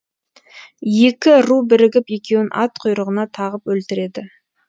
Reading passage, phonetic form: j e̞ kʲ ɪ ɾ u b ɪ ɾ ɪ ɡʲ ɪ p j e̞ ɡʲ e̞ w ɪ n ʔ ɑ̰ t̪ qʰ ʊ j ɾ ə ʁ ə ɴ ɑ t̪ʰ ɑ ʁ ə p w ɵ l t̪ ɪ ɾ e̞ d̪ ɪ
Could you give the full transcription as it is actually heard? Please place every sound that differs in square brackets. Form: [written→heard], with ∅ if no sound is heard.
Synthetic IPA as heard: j e̞ kʲ ɪ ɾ u b ɪ ɾ ɪ ɡʲ ɪ p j e̞ [ɡʲ→kʲ] e̞ w ɪ n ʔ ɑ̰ t̪ qʰ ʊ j ɾ ə ʁ ə [ɴ→n] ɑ t̪ʰ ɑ ʁ ə p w ɵ l t̪ ɪ ɾ e̞ d̪ ɪ